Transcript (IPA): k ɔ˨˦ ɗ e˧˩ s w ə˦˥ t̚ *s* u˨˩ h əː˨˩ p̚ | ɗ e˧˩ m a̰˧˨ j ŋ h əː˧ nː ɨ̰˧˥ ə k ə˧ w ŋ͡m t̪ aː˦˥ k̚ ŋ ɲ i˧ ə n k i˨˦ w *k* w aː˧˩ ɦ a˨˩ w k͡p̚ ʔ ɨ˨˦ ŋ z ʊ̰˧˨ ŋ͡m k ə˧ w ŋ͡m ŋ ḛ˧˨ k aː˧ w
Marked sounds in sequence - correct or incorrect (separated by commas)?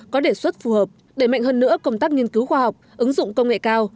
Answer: incorrect, incorrect